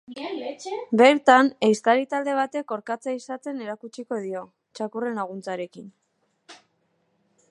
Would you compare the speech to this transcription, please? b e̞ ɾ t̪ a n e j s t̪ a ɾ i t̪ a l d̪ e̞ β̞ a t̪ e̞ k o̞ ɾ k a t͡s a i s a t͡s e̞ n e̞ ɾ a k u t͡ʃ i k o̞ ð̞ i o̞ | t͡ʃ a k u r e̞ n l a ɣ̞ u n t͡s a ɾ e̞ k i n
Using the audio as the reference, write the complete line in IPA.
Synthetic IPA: b e̞ ɾ t̪ a n e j s t̪ a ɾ i t̪ a l d̪ e̞ β̞ a t̪ e̞ k o̞ ɾ k a t͡s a i s a t͡s e̞ n e̞ ɾ a k u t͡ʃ i k o̞ ð̞ i o̞ | t͡ʃ a k u r e̞ n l a ɣ̞ u n t͡s a ɾ e̞ k i n